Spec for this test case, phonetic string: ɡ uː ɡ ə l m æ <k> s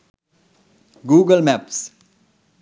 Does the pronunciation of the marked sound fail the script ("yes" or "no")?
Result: yes